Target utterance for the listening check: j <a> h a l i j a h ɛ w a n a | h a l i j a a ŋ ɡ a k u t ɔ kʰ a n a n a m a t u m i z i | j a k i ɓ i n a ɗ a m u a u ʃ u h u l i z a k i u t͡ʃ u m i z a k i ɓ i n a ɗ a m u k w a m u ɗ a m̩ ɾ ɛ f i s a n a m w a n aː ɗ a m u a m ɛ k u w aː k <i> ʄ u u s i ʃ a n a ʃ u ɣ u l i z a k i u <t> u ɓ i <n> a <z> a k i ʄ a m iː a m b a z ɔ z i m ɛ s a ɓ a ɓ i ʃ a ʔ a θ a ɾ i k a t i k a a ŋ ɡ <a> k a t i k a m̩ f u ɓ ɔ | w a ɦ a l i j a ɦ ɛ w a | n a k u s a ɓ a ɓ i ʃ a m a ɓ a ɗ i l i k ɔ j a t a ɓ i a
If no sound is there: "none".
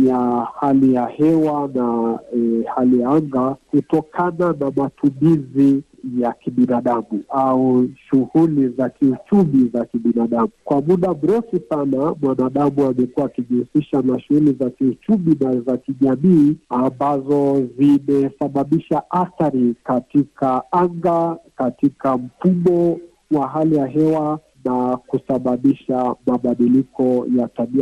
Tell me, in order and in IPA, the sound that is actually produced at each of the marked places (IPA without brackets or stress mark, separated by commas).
a, i, t͡ʃ, n, z, a